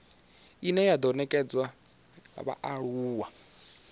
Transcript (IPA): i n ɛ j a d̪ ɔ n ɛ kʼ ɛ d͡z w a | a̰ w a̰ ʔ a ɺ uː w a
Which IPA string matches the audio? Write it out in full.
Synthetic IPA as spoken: i n ɛ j a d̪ ɔ n ɛ kʼ ɛ d͡z w a | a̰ β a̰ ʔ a ɺ uː w a